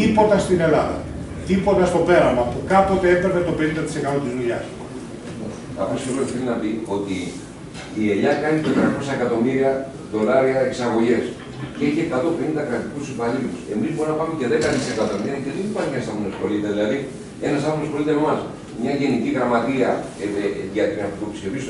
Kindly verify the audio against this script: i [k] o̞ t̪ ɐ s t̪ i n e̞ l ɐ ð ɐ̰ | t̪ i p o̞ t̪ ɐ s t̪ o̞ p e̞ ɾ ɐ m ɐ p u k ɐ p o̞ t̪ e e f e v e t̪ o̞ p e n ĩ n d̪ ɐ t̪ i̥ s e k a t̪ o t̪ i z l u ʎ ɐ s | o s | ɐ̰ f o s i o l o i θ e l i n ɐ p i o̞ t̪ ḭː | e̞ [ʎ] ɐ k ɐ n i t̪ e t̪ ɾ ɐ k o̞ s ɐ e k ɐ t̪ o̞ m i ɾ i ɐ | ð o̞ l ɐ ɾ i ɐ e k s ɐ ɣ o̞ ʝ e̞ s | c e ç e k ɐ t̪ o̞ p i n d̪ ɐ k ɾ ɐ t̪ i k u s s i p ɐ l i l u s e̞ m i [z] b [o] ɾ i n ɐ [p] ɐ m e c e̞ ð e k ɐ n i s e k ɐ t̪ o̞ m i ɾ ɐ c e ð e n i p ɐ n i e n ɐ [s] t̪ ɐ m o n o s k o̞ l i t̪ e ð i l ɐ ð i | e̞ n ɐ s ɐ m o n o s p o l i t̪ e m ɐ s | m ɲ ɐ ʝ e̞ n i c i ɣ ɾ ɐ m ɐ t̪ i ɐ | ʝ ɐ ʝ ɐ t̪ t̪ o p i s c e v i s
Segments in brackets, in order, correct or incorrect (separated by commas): incorrect, correct, correct, correct, correct, correct